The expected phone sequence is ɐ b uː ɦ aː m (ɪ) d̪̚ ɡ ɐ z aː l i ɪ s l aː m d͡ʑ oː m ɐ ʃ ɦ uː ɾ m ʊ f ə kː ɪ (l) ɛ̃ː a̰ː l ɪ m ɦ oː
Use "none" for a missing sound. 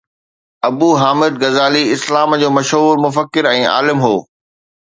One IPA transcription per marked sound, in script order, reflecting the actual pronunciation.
ɪ, ɾ

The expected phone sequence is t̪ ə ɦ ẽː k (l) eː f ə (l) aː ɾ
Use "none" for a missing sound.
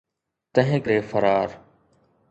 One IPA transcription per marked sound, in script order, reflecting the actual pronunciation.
ɾ, ɾ

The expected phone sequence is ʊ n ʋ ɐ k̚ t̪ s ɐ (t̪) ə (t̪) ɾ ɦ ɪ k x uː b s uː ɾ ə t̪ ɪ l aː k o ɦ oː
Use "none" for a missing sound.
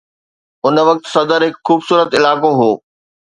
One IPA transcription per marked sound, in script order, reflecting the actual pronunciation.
d̪, none

